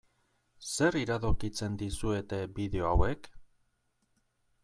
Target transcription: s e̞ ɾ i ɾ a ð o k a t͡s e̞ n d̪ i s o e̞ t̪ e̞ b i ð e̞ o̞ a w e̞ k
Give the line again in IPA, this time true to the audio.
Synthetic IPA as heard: s e̞ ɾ i ɾ a ð o k i t͡s e̞ n d̪ i s u e̞ t̪ e̞ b i ð e̞ o̞ a w e̞ k